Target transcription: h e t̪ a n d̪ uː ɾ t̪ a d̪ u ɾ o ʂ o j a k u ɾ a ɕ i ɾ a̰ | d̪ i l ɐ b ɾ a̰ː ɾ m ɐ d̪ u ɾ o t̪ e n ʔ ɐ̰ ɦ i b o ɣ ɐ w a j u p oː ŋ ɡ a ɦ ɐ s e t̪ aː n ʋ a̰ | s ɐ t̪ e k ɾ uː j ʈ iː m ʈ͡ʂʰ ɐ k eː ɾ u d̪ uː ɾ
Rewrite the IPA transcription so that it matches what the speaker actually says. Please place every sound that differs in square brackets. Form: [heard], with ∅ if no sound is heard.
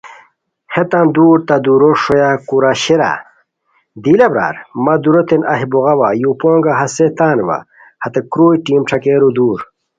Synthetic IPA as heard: h e t̪ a n d̪ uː ɾ t̪ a d̪ u ɾ o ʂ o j a k u ɾ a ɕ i ɾ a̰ | d̪ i l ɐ b ɾ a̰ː ɾ m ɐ d̪ u ɾ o t̪ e n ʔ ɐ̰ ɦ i b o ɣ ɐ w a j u p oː ŋ ɡ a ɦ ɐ s e t̪ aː n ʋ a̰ | [h] ɐ t̪ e k ɾ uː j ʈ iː m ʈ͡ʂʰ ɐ k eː ɾ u d̪ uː ɾ